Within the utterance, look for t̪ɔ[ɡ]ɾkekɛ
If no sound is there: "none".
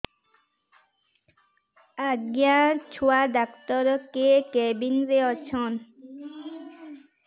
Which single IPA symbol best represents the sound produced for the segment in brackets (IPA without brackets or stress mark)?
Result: none